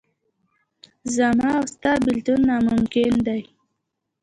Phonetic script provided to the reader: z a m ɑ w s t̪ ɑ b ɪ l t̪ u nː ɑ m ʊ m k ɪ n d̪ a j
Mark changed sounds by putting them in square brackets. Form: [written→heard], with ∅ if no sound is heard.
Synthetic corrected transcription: z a m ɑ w s t̪ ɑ b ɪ l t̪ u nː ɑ m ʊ m k ɪ n d̪ a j